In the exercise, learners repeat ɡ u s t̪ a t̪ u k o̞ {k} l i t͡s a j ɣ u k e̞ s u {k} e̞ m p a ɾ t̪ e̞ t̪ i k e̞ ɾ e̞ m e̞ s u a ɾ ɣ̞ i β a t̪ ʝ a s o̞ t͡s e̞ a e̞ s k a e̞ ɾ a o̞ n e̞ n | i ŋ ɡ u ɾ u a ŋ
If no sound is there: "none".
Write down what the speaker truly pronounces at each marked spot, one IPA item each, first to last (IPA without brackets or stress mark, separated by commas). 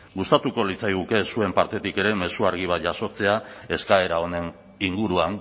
none, none